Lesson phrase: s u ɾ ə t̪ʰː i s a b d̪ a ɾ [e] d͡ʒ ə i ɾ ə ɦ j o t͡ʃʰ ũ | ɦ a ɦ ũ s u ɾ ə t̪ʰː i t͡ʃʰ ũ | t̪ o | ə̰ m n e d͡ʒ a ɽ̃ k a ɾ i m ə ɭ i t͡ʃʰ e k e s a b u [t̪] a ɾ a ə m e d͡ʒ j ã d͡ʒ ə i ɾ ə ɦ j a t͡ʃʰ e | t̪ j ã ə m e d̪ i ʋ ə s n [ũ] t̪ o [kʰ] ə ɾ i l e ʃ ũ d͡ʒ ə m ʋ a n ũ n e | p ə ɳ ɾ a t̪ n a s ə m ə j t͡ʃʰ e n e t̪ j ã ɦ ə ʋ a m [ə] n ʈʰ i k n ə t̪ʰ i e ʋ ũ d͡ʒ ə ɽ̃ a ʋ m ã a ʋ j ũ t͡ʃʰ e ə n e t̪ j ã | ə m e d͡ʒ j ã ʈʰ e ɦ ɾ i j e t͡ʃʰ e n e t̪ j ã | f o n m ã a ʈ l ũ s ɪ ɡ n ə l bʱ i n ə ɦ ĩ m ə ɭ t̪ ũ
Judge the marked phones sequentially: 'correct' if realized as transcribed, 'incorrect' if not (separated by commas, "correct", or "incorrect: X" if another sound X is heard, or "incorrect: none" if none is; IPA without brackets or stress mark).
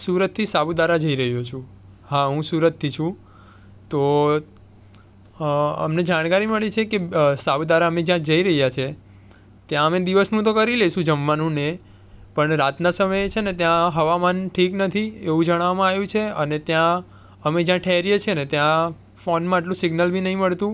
incorrect: a, incorrect: d̪, correct, incorrect: k, incorrect: a